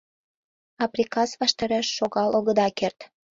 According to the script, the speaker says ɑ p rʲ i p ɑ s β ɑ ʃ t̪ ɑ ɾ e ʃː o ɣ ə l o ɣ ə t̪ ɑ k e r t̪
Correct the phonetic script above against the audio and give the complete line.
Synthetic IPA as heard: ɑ p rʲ i k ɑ s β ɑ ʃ t̪ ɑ ɾ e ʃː o ɣ ɑ l o ɣ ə d̪ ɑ k e r t̪